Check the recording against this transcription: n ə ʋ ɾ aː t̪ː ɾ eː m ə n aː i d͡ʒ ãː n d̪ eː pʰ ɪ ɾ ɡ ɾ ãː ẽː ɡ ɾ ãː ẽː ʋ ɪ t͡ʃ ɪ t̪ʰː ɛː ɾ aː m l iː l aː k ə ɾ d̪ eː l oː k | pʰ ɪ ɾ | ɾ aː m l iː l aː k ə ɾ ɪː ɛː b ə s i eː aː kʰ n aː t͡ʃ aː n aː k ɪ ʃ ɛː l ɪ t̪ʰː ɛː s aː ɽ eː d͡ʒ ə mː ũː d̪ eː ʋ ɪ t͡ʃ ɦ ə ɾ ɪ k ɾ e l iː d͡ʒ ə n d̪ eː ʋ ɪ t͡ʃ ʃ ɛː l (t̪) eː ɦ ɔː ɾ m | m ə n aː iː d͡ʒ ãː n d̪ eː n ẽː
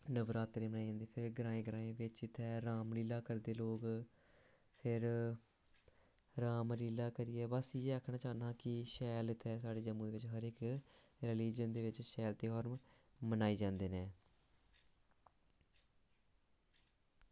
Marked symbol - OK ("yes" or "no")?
yes